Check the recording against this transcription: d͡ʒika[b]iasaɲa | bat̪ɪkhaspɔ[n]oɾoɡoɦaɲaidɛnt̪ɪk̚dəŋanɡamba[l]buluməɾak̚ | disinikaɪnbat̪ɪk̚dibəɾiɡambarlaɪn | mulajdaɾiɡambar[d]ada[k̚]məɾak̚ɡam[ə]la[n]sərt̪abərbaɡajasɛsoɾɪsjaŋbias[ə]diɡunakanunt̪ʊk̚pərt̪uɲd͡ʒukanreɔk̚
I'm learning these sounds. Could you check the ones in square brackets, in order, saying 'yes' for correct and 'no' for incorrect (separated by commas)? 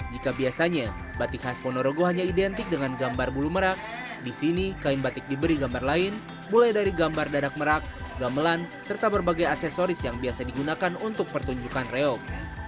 yes, yes, no, yes, yes, yes, yes, no